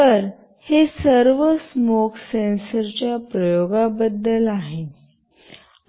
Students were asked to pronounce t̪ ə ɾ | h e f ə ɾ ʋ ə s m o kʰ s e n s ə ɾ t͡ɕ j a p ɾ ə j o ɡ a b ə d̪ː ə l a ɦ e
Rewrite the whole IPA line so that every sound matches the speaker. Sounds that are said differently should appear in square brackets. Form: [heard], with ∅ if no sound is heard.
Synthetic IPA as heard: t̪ ə ɾ | h e [s] ə ɾ ʋ ə s m o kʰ s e n s ə ɾ t͡ɕ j a p ɾ ə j o ɡ a b ə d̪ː ə l a ɦ e